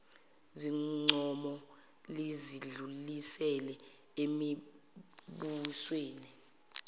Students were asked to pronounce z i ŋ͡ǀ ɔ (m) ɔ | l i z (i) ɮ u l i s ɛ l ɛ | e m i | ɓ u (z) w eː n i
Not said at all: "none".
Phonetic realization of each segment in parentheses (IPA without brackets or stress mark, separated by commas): m, i, s